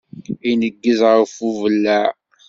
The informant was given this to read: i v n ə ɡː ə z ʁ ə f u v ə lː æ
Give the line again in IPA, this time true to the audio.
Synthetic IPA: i n ə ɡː ə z ʁ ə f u v ə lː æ